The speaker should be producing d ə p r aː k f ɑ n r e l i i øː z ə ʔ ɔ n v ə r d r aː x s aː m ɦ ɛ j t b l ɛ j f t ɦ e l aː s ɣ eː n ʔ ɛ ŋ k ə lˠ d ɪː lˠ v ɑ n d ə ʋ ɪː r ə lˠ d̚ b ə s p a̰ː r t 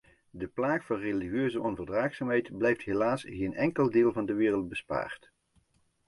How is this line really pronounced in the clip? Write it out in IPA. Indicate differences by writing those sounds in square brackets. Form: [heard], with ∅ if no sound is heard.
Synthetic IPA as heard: d ə p [l] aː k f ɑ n r e l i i øː z ə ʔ ɔ n v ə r d r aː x s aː m ɦ ɛ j t b l ɛ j f t ɦ e l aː s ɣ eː n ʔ ɛ ŋ k ə lˠ d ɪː lˠ v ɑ n d ə ʋ ɪː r ə lˠ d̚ b ə s p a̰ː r t

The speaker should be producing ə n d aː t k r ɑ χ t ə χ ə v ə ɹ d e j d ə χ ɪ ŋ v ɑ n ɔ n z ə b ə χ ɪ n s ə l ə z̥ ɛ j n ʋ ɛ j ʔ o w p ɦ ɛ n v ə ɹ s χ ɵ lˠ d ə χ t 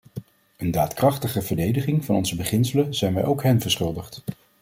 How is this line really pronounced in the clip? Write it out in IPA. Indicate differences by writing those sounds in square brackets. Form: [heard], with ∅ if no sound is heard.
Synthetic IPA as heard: ə n d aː t k r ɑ χ t ə χ ə v ə ɹ d e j d ə χ ɪ ŋ v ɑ n ɔ n z ə b ə χ ɪ n s ə l ə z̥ ɛ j n ʋ ɛ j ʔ o w [k] ɦ ɛ n v ə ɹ s χ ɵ lˠ d ə χ t

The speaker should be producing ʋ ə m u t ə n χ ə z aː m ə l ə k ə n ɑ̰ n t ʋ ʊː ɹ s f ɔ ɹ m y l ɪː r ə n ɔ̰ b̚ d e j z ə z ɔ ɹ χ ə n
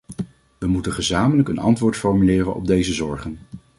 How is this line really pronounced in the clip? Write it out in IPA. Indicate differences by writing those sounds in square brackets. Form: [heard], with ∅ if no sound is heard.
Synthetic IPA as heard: ʋ ə m u t ə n χ ə z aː m ə l ə k ə n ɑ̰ n t ʋ ʊː ɹ [t] f ɔ ɹ m y l ɪː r ə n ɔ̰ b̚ d e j z ə z ɔ ɹ χ ə n

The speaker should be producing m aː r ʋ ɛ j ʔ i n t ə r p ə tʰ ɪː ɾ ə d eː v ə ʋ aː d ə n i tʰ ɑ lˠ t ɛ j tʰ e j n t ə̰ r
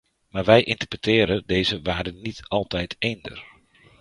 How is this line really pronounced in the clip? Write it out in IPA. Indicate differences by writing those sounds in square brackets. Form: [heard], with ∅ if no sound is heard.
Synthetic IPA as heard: m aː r ʋ ɛ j ʔ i n t ə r p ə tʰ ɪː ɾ ə d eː [z] ə ʋ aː d ə n i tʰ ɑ lˠ t ɛ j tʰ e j n [d] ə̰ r

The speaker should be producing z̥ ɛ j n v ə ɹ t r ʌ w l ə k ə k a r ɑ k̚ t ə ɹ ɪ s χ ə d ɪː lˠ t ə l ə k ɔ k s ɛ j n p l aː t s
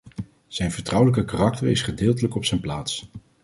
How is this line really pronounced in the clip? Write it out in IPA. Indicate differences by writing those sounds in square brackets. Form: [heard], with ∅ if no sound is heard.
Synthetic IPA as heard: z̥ ɛ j n v ə ɹ t r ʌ w l ə k ə k a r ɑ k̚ t ə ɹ ɪ s χ ə d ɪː lˠ t ə l ə k ɔ [p] s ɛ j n p l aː t s

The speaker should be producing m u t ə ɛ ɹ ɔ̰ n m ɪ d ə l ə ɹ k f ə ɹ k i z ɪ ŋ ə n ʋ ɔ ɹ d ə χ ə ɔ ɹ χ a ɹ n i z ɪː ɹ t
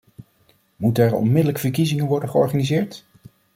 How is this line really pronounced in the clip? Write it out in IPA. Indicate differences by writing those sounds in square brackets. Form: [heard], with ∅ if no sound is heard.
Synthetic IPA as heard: m u t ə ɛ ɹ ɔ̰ n m ɪ d ə l ə [∅] k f ə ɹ k i z ɪ ŋ ə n ʋ ɔ ɹ d ə χ ə ɔ ɹ χ a [∅] n i z ɪː ɹ t

